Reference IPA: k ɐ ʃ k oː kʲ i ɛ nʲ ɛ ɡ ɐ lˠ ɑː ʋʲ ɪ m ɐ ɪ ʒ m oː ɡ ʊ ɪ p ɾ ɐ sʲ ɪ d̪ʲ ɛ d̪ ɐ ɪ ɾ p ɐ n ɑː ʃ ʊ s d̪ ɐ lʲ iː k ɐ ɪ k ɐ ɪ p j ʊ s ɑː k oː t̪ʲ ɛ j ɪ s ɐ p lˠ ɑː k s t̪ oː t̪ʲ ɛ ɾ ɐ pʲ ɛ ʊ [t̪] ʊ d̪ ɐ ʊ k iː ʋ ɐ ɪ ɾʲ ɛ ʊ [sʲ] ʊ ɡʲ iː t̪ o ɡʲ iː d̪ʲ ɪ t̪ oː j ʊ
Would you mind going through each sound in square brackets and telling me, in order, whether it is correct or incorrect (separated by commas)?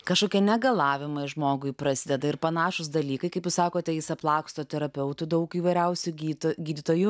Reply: correct, correct